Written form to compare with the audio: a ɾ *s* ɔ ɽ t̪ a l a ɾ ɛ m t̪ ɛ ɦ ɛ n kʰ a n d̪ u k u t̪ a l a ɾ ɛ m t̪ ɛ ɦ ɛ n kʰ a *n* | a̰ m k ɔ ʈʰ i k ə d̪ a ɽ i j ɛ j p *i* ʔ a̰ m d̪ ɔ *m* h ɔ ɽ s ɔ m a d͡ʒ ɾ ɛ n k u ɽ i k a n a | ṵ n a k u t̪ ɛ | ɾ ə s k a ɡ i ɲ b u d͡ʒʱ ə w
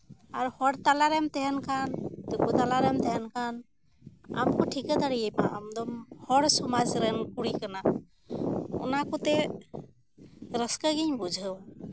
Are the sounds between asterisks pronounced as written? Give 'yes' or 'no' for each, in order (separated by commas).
no, yes, no, yes